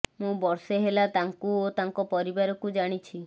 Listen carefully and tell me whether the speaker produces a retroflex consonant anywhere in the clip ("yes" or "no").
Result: yes